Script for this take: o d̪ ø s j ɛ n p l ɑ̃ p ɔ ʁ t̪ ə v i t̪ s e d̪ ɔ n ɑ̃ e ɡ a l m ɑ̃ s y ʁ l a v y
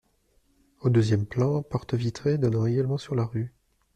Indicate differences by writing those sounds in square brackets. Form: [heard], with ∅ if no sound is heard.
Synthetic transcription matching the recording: o d̪ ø [z] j ɛ [m] p l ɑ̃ p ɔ ʁ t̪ ə v i t̪ [χ] e d̪ ɔ n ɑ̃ e ɡ a l m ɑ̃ s y ʁ l a [ʁ] y

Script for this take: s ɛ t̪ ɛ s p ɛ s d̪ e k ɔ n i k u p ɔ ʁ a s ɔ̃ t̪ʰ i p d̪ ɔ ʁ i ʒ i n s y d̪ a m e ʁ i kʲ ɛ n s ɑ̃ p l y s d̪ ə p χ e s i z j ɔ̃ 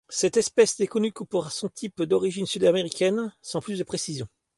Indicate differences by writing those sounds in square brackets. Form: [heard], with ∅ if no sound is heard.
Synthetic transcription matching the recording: s ɛ t̪ ɛ s p ɛ s d̪ e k ɔ n [y] k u p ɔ ʁ a s ɔ̃ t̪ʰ i p d̪ ɔ ʁ i ʒ i n s y d̪ a m e ʁ i kʲ ɛ n s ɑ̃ p l y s d̪ ə p χ e s i z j ɔ̃

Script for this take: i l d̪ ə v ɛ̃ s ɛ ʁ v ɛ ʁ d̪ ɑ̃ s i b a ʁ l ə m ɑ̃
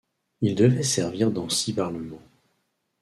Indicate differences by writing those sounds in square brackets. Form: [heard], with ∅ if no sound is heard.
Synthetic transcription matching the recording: i l d̪ ə v [ɛ] s ɛ ʁ v [i] ʁ d̪ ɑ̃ s i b a ʁ l ə m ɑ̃

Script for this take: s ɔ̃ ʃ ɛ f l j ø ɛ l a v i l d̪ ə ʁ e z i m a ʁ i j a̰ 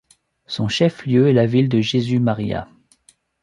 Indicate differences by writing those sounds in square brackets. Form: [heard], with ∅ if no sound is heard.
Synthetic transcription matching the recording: s ɔ̃ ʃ ɛ f l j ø ɛ l a v i l d̪ ə [ʒ] e z [y] m a ʁ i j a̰

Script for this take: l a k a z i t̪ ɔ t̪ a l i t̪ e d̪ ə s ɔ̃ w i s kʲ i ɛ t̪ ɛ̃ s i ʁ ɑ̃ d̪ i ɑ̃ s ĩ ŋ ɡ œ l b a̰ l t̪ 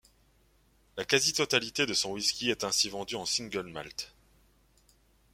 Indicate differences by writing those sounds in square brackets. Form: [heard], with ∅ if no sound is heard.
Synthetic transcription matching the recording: l a k a z i t̪ ɔ t̪ a l i t̪ e d̪ ə s ɔ̃ w i s kʲ i ɛ t̪ ɛ̃ s i [v] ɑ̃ d̪ [y] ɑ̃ s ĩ ŋ ɡ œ l [m] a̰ l t̪

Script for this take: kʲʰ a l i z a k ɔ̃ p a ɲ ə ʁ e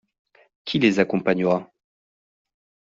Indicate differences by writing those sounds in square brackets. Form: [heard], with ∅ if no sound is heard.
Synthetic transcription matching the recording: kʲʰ [i] l [e] z a k ɔ̃ p a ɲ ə ʁ [a]

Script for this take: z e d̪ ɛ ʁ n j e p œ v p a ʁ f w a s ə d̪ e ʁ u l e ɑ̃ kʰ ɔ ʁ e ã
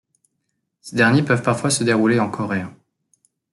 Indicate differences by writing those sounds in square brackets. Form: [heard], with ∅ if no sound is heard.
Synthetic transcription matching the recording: [s] e d̪ ɛ ʁ n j e p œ v p a ʁ f w a s ə d̪ e ʁ u l e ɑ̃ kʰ ɔ ʁ e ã

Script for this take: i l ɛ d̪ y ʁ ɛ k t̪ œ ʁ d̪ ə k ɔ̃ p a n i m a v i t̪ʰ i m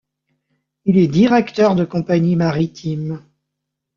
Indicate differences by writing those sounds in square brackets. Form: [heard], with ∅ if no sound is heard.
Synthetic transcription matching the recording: i l ɛ d̪ [i] ʁ ɛ k t̪ œ ʁ d̪ ə k ɔ̃ p a [ɲ] i m a [ʁ] i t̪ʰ i m

